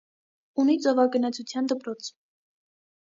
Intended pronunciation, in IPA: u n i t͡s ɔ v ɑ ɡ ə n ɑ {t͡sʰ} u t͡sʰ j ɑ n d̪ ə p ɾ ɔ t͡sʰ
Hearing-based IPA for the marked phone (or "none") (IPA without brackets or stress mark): t͡sʰ